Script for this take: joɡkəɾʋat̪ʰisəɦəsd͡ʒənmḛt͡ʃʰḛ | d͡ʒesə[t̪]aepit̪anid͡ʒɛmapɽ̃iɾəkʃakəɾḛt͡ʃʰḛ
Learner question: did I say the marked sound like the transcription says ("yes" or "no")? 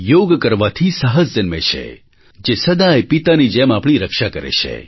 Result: no